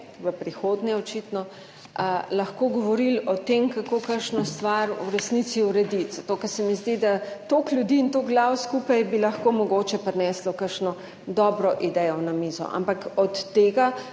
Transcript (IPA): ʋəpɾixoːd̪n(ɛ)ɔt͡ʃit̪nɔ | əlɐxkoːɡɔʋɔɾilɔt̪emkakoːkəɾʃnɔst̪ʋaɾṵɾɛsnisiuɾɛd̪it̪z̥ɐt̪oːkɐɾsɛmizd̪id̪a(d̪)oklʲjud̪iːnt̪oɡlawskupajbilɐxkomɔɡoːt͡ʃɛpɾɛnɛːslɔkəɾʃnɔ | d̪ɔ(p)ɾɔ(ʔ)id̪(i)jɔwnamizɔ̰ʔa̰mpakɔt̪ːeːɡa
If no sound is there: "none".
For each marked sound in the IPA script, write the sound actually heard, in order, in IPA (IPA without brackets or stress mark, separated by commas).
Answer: ɛ, t̪, b, ʔ, ɛ